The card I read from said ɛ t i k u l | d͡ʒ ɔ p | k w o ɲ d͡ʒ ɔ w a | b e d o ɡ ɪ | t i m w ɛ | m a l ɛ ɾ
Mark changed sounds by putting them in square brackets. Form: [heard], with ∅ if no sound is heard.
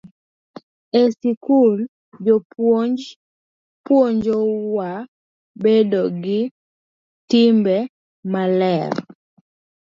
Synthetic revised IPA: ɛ [s] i k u l | d͡ʒ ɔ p | [p] w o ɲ d͡ʒ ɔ w a | b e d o ɡ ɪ | t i m [b] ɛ | m a l ɛ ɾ